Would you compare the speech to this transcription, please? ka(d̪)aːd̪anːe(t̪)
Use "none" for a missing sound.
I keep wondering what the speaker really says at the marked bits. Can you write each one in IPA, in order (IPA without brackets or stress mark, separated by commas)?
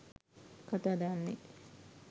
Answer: t̪, none